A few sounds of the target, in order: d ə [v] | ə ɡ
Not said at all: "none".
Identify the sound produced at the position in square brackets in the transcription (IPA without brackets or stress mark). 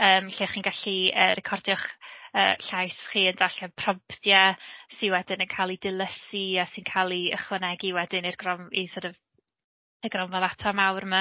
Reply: v